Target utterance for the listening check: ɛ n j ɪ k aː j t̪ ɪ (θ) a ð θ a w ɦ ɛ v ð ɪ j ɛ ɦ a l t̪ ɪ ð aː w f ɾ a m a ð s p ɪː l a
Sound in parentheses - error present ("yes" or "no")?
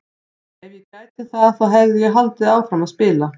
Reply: no